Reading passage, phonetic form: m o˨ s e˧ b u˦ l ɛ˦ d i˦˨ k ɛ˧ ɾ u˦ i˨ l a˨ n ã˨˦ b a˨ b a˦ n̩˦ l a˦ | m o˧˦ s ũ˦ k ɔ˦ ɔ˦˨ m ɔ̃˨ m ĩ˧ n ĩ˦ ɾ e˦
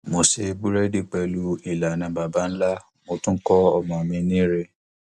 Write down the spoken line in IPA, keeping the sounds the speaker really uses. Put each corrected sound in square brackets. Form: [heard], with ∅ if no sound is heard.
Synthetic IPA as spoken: m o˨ s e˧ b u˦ [ɾ] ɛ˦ d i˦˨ [k͡p] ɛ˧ [l] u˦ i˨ l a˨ n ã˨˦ b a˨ b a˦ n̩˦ l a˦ | m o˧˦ [t] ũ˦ k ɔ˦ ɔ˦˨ m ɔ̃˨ m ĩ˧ n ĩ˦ ɾ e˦